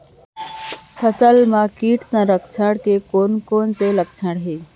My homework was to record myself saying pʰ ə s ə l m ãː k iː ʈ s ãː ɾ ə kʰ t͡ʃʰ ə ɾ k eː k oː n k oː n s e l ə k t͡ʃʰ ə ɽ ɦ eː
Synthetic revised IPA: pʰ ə s ə l m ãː k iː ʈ s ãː ɾ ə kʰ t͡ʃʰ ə ɽ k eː k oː n k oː n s e l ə k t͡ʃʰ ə ɽ ɦ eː